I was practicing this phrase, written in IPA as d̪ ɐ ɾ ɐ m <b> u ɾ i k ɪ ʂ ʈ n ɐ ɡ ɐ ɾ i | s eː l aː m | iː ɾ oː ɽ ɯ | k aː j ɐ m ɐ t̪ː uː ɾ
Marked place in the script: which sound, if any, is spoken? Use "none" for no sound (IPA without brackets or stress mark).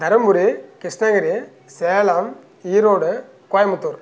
b